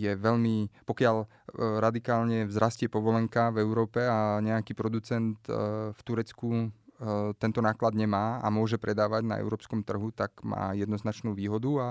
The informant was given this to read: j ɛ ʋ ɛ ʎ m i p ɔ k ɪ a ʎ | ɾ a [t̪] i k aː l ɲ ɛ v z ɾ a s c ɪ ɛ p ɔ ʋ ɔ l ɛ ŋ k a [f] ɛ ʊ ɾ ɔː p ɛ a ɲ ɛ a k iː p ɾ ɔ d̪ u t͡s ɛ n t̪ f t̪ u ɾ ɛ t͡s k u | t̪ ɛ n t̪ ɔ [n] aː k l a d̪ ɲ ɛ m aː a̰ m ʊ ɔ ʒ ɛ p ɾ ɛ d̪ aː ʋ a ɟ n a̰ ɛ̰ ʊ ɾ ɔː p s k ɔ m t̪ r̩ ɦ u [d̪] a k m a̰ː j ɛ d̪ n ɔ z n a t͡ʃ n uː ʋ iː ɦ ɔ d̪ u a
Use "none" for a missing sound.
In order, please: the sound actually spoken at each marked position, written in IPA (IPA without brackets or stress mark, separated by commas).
d̪, v, n, t̪